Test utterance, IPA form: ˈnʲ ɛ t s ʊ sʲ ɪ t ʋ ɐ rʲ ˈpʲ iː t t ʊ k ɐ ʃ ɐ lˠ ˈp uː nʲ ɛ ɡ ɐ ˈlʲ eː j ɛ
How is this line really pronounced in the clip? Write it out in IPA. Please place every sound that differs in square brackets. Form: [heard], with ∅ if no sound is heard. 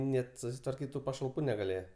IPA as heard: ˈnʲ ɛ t s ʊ sʲ ɪ t ʋ ɐ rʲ [ˈkʲ] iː t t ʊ [p] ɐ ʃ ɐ lˠ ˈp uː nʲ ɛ ɡ ɐ ˈlʲ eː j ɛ